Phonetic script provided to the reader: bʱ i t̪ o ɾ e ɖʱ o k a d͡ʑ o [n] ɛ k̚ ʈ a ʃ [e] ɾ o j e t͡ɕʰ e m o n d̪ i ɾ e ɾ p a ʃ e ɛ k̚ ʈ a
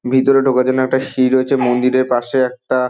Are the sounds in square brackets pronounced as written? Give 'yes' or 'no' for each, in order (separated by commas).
yes, no